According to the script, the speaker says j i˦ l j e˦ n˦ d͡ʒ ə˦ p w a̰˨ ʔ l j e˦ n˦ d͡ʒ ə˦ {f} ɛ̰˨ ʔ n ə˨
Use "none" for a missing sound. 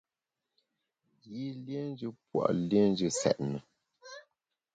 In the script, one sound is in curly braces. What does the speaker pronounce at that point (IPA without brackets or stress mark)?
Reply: s